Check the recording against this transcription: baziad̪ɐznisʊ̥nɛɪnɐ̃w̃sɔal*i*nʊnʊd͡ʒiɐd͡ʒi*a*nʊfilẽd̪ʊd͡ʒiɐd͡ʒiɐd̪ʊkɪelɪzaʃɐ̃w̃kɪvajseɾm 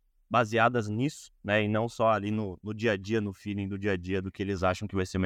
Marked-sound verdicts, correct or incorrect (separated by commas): correct, incorrect